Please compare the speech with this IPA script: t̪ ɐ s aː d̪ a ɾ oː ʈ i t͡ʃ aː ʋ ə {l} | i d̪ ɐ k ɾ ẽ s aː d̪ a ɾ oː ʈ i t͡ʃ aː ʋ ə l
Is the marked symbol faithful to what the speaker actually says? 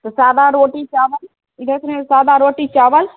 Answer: yes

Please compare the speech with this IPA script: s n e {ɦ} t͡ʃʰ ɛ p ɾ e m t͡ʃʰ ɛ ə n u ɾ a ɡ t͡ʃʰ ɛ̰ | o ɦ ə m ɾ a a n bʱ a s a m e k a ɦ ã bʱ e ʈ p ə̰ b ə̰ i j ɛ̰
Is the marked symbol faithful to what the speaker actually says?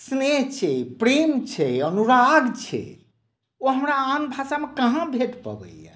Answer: yes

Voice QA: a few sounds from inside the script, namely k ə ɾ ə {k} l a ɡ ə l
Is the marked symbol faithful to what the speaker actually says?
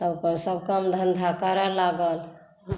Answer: no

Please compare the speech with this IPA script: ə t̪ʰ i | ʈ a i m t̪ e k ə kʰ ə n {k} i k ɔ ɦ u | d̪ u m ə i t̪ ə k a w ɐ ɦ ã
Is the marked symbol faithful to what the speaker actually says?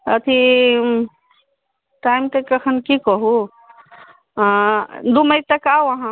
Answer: yes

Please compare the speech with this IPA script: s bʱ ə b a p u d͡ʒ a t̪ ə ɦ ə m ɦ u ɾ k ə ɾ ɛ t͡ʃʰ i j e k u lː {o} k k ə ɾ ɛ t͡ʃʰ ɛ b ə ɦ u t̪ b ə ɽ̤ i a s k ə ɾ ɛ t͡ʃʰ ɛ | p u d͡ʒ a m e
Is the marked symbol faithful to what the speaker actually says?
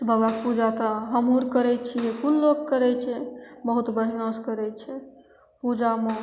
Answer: yes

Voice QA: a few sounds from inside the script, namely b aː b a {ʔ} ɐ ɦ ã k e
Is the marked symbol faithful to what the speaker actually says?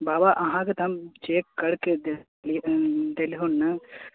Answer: yes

